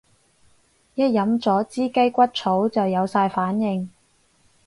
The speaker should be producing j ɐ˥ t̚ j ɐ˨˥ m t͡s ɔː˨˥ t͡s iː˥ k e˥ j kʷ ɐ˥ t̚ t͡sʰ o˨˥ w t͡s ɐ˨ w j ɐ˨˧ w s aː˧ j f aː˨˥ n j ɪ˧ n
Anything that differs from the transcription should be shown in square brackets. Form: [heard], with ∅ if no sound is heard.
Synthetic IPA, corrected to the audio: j ɐ˥ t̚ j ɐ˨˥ m t͡s ɔː˨˥ t͡s iː˥ k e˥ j kʷ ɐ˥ t̚ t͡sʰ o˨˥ w t͡s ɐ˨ w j ɐ˨˧ w s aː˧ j f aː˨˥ n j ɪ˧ [ŋ]